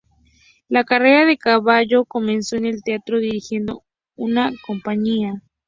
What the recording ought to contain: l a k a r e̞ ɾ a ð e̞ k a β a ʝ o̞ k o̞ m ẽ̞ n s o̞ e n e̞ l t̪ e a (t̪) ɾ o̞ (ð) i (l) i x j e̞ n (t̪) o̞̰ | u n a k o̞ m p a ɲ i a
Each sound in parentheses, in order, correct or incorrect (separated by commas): correct, correct, incorrect, incorrect